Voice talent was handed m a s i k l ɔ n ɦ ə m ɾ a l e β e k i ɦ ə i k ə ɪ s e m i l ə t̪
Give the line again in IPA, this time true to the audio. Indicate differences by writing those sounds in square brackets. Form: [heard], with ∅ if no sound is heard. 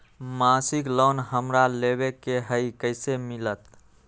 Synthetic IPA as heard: m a s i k l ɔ n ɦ ə m ɾ a l e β e k [e] ɦ ə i k ə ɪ s e m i l ə t̪